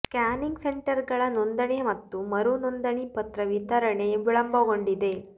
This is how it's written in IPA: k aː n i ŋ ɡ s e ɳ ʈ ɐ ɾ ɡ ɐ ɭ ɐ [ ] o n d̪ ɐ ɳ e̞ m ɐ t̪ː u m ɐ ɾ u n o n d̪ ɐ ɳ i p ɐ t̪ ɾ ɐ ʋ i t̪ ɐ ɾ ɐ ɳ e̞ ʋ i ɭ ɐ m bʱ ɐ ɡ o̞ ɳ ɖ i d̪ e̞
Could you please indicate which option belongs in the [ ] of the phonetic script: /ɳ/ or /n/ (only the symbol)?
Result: n